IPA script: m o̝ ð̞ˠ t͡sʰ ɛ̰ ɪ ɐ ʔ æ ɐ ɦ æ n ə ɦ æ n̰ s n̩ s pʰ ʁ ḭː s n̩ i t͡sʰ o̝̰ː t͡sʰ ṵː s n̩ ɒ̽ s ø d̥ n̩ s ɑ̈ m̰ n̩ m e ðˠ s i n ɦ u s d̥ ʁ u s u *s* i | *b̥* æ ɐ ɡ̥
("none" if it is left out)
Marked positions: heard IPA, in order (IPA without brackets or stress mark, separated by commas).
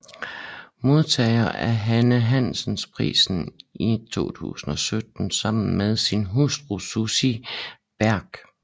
s, b̥